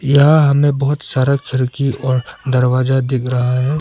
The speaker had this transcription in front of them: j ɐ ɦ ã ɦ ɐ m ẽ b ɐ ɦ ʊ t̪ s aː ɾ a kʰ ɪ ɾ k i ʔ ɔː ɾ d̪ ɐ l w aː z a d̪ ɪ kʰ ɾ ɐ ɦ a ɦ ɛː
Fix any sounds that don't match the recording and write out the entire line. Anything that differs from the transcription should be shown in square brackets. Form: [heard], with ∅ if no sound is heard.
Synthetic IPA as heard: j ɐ ɦ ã ɦ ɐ m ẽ b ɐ ɦ ʊ t̪ s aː ɾ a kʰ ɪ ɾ k i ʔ ɔː ɾ d̪ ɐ [ɾ] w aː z a d̪ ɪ kʰ ɾ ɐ ɦ a ɦ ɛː